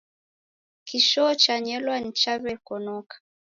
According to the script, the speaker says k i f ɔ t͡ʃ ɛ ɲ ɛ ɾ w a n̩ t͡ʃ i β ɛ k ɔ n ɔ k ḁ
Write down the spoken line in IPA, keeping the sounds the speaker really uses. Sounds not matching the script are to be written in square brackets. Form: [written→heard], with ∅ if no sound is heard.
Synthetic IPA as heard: k i [f→ʃ] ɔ t͡ʃ [ɛ→a] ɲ ɛ [ɾ→l] w a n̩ t͡ʃ [i→a] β ɛ k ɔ n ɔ k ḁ